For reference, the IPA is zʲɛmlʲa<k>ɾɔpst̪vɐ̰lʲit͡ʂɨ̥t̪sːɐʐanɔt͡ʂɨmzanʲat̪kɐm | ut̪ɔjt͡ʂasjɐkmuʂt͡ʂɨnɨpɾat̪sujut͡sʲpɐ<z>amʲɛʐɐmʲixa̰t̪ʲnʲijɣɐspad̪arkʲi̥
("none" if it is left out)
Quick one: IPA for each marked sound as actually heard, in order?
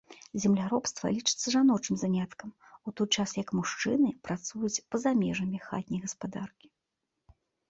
none, z

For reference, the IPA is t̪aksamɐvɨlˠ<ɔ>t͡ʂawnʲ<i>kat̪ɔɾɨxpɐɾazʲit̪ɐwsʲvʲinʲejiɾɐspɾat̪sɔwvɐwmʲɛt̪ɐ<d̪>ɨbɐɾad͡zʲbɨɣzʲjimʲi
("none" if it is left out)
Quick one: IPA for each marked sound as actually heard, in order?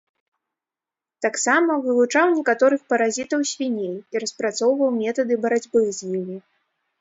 u, ɛ, d̪

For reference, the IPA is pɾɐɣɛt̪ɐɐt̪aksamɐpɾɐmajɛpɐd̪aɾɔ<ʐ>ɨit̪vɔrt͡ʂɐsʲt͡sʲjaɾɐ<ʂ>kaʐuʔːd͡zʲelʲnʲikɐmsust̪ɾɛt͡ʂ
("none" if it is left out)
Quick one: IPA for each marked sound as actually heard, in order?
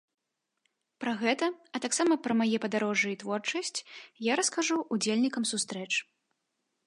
ʐ, s

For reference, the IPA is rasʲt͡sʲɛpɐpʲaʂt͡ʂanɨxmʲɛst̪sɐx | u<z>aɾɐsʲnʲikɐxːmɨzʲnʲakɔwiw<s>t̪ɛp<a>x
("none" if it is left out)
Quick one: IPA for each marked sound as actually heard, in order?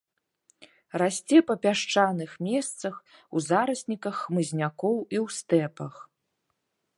z, s, ɐ

